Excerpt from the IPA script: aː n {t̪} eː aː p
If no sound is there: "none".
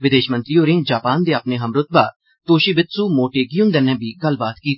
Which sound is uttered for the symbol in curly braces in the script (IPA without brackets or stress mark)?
d̪